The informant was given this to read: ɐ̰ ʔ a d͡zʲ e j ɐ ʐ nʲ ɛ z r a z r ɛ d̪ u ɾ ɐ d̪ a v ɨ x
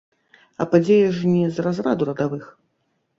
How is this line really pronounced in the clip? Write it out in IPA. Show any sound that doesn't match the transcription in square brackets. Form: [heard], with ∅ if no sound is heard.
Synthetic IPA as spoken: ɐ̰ [p] a d͡zʲ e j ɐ ʐ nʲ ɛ z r a z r [a] d̪ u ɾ ɐ d̪ a v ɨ x